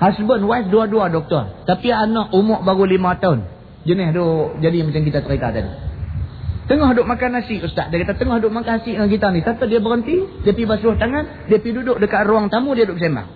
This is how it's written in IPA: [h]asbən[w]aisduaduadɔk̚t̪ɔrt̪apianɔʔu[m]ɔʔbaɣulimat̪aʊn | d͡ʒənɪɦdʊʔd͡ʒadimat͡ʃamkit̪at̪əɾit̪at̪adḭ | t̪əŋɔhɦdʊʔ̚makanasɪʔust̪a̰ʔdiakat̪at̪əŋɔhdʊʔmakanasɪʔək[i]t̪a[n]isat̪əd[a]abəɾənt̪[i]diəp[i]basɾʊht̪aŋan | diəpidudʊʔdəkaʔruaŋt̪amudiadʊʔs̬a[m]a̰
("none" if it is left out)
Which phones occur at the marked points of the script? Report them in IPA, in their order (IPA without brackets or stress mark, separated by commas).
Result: h, w, m, i, n, i, i, i, m